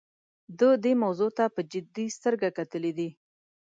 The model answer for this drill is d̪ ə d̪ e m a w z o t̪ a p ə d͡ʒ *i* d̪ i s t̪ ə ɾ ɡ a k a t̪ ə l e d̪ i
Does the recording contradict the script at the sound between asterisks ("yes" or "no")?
yes